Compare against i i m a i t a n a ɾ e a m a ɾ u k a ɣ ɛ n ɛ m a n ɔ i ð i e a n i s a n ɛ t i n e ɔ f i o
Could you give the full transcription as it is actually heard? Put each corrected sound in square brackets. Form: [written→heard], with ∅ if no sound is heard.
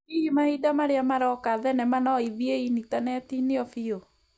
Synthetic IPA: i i m a i [t→d] a [n→m] a ɾ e a m a ɾ [u→ɔ] k a [ɣ→ð] ɛ n ɛ m a n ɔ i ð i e [a→i] n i [s→t] a n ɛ t i n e ɔ f i o